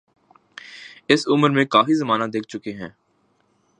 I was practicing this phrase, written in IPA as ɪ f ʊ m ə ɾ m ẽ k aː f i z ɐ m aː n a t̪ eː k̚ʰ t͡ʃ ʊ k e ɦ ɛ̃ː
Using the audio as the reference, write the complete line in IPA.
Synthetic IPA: ɪ s ʊ m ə ɾ m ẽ k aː f i z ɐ m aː n a d̪ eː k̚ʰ t͡ʃ ʊ k e ɦ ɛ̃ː